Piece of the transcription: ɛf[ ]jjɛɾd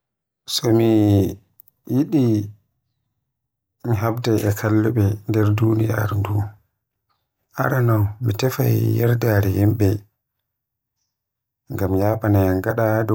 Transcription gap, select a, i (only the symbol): a